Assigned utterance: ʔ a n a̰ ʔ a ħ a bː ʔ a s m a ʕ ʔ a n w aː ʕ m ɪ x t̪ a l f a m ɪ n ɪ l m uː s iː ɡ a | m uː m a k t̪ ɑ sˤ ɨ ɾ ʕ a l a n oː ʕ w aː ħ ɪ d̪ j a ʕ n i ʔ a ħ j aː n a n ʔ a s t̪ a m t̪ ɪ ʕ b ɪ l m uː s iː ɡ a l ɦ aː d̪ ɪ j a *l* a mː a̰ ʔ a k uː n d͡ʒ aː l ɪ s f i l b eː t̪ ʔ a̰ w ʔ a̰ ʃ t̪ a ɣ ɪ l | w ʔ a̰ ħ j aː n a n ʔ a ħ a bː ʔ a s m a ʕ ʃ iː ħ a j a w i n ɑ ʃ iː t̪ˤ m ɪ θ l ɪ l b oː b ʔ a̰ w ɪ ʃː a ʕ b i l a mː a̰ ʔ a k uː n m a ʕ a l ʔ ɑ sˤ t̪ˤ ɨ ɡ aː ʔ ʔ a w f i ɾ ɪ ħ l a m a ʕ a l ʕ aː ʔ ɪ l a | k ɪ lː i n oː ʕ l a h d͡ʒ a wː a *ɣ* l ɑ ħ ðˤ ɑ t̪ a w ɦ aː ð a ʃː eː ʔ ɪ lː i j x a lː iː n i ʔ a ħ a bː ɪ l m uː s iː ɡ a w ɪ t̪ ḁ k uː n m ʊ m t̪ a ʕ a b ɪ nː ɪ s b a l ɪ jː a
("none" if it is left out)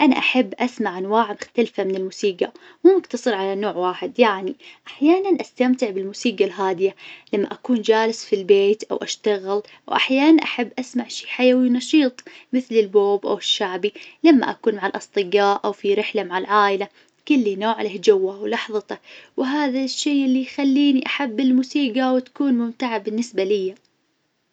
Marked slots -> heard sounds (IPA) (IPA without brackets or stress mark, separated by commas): l, w